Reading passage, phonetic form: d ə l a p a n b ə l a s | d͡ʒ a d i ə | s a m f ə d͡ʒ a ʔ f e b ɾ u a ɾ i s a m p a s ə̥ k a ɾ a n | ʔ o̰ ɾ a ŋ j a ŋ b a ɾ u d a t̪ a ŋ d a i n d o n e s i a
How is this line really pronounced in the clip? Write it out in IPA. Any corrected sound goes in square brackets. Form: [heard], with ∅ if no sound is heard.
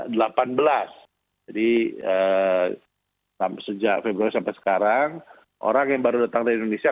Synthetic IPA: d ə l a p a n b ə l a s | d͡ʒ a d i ə | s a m [s] ə d͡ʒ a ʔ f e b ɾ u a ɾ i s a m p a s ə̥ k a ɾ a [ŋ] | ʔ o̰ ɾ a ŋ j a ŋ b a ɾ u d a t̪ a ŋ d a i n d o n e s i a

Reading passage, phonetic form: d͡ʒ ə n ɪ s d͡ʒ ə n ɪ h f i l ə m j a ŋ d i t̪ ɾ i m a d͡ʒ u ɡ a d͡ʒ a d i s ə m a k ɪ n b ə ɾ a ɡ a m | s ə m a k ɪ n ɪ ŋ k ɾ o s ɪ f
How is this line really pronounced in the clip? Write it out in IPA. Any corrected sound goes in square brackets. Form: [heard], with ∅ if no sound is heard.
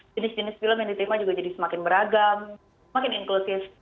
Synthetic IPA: d͡ʒ ə n ɪ s d͡ʒ ə n ɪ [s] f i l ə m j a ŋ d i t̪ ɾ i m a d͡ʒ u ɡ a d͡ʒ a d i s ə m a k ɪ n b ə ɾ a ɡ a m | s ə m a k ɪ n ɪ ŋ k [l] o s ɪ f

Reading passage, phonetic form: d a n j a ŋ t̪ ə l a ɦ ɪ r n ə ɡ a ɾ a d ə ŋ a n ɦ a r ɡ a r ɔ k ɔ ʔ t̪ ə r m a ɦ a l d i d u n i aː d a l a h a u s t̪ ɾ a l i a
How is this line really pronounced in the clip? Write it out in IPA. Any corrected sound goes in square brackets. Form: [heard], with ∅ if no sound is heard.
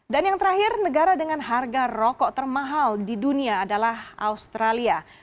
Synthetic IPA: d a n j a ŋ t̪ ə [ɾ] a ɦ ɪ r n ə ɡ a ɾ a d ə ŋ a n ɦ a r ɡ a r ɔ k ɔ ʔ t̪ ə r m a ɦ a l d i d u n i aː d a l a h a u s t̪ ɾ a l i a

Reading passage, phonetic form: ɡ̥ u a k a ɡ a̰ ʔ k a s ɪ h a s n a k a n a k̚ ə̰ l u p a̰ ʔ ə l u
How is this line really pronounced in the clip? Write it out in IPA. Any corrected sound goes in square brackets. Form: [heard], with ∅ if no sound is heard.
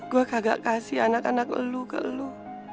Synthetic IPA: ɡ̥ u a k a ɡ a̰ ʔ k a s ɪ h a [∅] n a k a n a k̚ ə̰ l u [k] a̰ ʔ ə l u

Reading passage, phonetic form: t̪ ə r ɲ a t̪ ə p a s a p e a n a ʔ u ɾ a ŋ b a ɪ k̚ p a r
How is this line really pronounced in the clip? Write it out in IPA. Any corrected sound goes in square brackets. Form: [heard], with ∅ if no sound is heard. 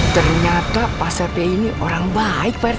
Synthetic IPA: t̪ ə r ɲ a t̪ [a] p a s a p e [i] n [i] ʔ [o] ɾ a ŋ b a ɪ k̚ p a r

